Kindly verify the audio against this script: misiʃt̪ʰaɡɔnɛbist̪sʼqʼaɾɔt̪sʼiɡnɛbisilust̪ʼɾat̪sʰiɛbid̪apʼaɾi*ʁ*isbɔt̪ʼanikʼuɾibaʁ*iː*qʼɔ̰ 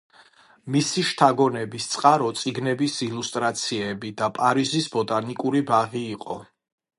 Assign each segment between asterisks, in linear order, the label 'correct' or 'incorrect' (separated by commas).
incorrect, correct